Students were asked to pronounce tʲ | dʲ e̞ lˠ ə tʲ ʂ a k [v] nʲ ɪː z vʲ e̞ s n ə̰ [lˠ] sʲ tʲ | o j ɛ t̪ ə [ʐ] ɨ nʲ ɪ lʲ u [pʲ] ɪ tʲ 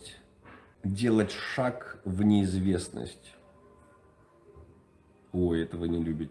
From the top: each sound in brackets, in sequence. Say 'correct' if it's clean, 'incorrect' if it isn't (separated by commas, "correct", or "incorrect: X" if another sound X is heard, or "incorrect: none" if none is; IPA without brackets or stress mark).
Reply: correct, incorrect: none, incorrect: v, incorrect: bʲ